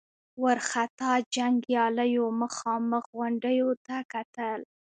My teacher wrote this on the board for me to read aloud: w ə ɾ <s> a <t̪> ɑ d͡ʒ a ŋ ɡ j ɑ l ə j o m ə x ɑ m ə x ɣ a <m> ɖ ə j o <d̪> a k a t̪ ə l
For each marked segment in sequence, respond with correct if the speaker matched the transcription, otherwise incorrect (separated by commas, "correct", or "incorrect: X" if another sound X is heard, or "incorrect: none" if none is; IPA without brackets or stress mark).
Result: incorrect: x, correct, incorrect: ɳ, incorrect: t̪